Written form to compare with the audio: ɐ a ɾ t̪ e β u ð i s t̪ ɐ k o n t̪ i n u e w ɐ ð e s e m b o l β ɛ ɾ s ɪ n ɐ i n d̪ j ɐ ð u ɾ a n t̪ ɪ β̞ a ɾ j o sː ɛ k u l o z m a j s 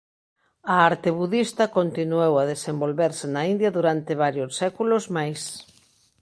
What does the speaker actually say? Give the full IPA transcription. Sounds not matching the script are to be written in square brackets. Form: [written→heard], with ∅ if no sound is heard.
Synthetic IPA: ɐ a ɾ t̪ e β u ð i s t̪ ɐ k o n t̪ i n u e w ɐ ð e s e m b o l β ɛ ɾ s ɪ n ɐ i n d̪ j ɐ ð u ɾ a n t̪ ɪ β̞ a ɾ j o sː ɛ k u l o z m a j s